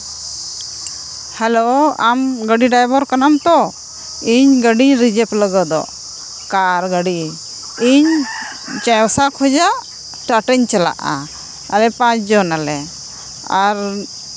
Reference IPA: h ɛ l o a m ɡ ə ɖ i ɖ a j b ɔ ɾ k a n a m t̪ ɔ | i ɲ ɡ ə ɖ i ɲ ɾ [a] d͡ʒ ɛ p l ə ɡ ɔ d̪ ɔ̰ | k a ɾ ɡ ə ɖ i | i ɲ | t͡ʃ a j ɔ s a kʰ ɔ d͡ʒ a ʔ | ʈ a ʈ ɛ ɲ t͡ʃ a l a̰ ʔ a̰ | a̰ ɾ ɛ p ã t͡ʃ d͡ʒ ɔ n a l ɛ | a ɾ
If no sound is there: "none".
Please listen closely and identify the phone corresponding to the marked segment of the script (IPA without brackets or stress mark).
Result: i